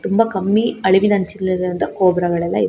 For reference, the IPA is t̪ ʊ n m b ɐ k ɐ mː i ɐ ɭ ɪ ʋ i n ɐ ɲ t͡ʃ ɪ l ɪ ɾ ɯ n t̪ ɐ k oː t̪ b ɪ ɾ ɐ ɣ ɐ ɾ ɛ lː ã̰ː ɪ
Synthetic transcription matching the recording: t̪ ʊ m b ɐ k ɐ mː i ɐ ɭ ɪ ʋ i n ɐ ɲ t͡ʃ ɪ l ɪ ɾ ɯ n d̪ ɐ k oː b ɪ ɾ ɐ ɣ ɐ ɭ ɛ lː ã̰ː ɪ